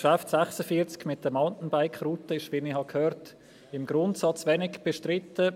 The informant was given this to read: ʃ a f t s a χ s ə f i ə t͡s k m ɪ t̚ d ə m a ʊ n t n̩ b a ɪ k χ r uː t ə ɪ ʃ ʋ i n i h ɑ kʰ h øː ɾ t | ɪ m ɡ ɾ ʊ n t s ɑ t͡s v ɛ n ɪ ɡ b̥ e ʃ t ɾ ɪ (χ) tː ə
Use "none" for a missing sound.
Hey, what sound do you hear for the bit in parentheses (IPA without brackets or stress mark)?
none